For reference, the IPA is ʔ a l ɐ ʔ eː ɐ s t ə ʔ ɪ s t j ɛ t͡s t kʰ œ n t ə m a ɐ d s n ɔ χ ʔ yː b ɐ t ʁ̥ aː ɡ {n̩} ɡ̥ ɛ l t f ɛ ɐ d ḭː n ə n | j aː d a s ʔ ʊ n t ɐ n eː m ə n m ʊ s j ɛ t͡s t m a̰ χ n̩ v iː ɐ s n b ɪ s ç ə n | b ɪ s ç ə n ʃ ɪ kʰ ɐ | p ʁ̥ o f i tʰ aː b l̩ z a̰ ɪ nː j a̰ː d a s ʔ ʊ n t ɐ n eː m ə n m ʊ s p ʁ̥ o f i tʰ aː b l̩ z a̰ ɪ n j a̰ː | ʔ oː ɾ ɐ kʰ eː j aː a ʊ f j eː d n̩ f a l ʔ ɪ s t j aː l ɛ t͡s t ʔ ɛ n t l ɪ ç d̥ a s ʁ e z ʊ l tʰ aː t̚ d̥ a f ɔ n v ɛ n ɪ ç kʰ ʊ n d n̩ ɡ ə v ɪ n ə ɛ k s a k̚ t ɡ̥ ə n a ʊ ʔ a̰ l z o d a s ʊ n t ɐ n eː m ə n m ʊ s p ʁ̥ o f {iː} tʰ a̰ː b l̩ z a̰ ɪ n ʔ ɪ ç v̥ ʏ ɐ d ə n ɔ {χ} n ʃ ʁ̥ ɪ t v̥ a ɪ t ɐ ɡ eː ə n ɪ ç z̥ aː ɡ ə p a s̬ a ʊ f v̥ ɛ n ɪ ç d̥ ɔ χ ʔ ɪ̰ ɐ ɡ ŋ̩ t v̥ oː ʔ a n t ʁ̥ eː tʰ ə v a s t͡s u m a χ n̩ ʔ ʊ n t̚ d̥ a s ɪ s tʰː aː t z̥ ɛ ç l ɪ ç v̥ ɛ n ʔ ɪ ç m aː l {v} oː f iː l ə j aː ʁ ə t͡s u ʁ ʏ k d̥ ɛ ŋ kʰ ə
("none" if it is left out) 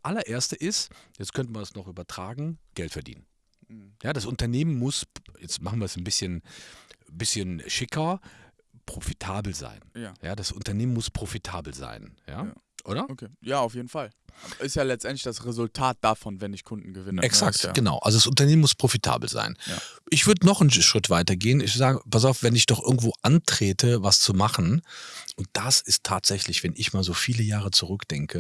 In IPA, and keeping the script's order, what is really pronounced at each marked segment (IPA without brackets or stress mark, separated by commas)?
ŋ̩, i, χ, z